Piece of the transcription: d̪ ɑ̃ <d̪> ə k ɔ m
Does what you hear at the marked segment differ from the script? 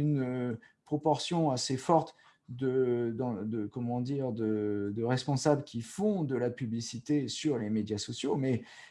no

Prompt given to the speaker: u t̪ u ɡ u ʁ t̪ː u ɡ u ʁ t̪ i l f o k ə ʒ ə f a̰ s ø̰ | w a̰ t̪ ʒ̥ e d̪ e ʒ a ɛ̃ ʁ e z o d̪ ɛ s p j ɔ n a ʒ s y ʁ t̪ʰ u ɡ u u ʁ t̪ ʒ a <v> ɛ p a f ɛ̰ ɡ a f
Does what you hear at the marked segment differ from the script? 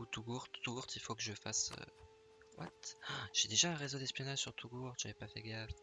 no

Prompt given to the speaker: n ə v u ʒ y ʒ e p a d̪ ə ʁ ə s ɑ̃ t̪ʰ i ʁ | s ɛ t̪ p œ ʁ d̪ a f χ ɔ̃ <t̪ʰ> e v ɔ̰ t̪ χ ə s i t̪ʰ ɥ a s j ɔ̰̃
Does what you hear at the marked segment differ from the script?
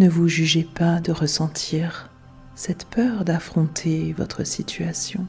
no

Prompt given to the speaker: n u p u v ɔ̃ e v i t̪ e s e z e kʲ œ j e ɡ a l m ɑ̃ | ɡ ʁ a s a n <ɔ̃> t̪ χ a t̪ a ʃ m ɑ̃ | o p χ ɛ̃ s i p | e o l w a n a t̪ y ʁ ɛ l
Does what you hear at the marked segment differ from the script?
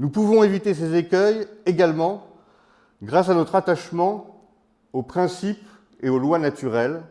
yes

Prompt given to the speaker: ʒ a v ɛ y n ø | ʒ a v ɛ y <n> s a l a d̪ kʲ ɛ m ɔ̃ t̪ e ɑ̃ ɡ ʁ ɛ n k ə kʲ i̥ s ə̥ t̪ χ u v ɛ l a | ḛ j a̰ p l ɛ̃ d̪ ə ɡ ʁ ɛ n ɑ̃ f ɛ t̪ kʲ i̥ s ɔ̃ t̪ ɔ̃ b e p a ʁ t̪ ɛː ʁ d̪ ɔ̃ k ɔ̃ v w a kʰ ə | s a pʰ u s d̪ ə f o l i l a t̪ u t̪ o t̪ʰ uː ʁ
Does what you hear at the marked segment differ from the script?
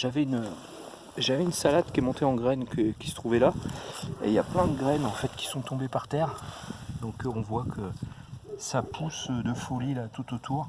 no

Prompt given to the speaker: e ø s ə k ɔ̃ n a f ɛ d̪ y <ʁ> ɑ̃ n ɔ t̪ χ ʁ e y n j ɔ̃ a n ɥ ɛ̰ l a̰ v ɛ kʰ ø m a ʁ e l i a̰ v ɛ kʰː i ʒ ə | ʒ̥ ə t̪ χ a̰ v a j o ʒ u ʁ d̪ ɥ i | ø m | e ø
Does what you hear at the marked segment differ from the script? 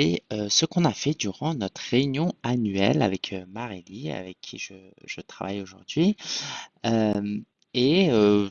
no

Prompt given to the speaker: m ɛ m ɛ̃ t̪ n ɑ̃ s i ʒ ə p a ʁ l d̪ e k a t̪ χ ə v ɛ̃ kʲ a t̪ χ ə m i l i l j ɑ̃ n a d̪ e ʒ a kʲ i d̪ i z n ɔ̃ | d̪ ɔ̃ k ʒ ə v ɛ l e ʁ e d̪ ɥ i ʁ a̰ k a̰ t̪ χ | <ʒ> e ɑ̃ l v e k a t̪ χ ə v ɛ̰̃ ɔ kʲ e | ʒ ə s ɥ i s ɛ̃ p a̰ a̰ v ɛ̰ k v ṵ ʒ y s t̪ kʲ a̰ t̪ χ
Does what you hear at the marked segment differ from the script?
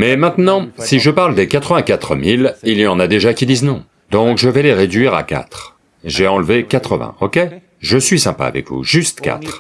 no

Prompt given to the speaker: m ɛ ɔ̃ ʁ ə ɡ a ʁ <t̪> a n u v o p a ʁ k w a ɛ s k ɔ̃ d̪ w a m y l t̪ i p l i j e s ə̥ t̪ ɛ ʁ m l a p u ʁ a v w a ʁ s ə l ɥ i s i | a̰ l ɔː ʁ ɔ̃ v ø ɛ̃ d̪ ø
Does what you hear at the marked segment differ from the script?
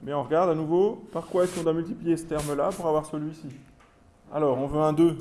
yes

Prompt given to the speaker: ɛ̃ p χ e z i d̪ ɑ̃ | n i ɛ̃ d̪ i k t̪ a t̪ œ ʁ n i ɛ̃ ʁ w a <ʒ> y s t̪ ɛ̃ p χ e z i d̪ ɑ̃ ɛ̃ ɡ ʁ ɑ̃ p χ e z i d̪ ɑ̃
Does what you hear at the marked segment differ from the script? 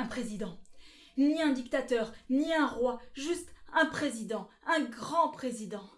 no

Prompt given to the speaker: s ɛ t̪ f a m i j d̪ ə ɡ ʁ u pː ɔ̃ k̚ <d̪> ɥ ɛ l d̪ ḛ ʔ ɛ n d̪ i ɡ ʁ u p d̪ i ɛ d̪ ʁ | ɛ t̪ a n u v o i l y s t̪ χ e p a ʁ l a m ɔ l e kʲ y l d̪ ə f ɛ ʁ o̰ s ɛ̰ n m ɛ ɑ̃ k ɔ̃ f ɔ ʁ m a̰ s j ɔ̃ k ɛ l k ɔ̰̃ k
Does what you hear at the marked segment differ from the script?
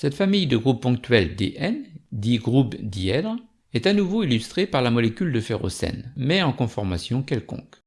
yes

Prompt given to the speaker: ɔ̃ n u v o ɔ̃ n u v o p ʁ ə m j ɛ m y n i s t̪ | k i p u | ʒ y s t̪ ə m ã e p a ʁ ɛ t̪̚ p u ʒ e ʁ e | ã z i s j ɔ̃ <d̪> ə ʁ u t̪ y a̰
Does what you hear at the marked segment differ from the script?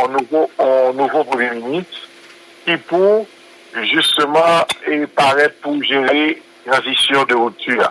no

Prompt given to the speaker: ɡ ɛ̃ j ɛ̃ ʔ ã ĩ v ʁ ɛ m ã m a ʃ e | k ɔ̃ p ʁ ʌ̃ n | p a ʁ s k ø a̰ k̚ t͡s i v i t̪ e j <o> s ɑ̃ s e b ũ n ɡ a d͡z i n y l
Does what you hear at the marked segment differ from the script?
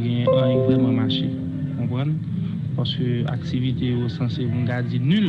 no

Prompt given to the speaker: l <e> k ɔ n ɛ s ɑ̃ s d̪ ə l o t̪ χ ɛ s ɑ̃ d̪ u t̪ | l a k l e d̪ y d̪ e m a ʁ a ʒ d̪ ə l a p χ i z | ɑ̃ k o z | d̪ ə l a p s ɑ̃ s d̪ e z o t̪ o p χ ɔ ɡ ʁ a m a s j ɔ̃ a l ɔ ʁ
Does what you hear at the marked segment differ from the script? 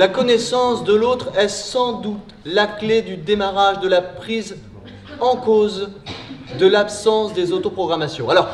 yes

